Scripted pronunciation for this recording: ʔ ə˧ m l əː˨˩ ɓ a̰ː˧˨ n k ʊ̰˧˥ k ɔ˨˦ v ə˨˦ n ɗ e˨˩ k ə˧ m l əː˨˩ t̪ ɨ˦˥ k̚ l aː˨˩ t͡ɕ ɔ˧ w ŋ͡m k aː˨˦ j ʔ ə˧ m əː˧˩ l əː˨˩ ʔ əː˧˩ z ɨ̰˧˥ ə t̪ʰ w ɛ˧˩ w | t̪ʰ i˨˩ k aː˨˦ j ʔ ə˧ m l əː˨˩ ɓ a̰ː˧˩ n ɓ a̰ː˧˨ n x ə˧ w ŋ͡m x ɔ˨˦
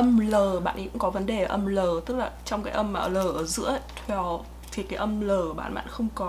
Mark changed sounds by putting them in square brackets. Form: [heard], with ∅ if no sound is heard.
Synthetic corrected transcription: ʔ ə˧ m l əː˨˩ ɓ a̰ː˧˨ n k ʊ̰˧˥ k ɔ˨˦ v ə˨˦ n ɗ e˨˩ [ʔ] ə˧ m l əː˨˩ t̪ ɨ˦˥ k̚ l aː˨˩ t͡ɕ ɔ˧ w ŋ͡m k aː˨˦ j ʔ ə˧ m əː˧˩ l əː˨˩ ʔ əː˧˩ z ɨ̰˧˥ ə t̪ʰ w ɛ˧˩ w | t̪ʰ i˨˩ k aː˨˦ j ʔ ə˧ m l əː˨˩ ɓ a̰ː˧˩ n ɓ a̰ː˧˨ n x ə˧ w ŋ͡m [k] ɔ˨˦